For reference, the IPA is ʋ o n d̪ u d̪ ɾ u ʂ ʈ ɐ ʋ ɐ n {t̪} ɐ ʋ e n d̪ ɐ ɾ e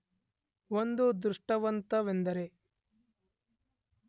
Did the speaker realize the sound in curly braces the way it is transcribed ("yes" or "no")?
yes